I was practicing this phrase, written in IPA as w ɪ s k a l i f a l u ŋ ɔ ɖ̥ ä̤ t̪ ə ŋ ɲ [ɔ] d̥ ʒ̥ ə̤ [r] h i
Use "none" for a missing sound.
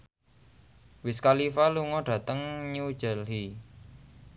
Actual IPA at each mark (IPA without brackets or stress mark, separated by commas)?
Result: u, l